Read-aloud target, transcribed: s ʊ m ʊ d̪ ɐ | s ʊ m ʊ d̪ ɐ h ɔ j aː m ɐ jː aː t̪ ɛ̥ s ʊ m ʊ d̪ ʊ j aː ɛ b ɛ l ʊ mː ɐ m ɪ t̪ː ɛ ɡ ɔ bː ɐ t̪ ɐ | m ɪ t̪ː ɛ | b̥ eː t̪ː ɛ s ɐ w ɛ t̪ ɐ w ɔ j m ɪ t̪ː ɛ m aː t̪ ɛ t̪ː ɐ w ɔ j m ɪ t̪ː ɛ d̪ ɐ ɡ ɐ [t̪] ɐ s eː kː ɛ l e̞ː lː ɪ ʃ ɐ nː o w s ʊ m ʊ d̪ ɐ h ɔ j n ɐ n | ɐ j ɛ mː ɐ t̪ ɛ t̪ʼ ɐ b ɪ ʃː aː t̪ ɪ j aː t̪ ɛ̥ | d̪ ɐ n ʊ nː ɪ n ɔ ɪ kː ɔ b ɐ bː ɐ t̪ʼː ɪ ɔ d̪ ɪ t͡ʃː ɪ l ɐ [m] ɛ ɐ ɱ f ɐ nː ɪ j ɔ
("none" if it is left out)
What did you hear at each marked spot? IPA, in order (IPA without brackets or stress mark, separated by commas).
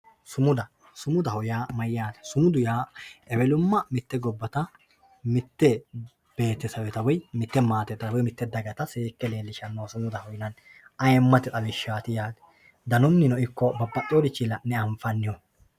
t̪, n